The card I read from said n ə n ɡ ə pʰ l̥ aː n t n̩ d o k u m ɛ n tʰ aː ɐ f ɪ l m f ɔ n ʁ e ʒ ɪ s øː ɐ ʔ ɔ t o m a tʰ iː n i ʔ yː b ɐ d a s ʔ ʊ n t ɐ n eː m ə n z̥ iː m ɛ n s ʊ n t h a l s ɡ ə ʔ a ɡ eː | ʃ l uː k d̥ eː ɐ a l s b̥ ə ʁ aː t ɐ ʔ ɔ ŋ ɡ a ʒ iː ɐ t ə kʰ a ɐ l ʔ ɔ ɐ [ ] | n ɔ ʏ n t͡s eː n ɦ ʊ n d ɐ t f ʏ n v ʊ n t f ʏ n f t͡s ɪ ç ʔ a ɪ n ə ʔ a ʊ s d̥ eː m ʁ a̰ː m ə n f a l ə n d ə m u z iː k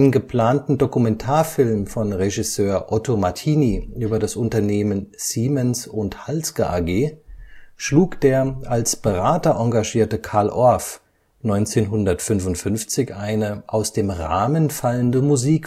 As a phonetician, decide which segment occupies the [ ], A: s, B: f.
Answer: B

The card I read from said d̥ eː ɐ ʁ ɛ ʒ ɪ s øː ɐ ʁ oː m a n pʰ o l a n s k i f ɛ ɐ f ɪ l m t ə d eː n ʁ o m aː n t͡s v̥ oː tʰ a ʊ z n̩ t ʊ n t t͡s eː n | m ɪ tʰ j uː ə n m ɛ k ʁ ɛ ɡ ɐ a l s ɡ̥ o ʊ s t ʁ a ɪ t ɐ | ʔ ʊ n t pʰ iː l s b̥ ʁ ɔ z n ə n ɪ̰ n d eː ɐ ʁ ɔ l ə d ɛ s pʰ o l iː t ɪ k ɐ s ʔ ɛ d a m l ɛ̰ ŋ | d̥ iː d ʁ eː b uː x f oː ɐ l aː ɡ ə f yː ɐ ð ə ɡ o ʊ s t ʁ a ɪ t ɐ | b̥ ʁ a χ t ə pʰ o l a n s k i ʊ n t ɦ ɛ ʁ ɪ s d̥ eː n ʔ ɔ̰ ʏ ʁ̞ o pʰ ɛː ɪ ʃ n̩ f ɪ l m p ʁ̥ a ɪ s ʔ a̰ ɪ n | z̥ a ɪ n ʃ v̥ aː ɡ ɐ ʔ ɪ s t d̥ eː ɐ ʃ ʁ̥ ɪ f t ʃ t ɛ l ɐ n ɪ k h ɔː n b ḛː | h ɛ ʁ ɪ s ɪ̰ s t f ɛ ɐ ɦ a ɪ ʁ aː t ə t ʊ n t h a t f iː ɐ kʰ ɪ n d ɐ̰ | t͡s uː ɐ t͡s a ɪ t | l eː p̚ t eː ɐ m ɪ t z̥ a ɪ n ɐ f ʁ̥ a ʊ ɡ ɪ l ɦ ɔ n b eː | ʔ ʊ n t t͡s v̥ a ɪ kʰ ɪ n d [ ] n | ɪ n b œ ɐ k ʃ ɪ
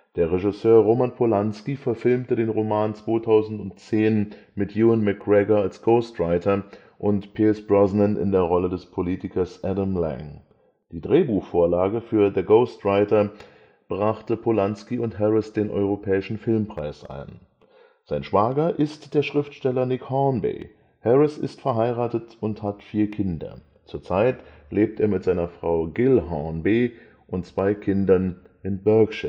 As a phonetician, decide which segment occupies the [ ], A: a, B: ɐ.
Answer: B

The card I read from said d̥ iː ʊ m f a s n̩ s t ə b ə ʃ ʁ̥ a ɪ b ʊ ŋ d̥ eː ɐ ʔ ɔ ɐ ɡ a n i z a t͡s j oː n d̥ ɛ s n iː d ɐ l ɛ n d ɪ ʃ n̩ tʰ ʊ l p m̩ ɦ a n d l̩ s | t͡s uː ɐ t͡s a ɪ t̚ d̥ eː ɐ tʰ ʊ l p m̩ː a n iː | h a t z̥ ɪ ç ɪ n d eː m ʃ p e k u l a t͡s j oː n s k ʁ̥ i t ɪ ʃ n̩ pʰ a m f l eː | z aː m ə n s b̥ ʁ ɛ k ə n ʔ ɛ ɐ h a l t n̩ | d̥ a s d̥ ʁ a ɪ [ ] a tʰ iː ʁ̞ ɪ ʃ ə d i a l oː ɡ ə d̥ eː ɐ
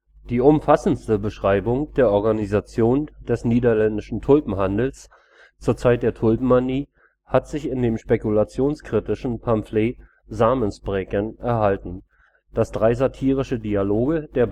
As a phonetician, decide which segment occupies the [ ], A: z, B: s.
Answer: A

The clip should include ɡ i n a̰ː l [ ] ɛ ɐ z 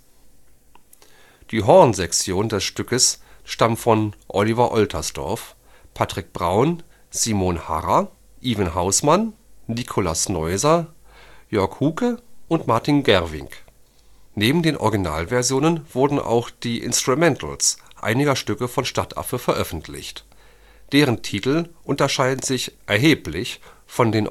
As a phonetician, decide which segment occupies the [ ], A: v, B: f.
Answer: A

